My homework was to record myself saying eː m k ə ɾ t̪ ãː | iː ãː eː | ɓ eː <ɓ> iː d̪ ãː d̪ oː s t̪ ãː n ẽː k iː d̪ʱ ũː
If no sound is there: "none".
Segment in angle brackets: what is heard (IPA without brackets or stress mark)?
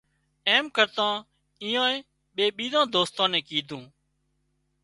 ɓ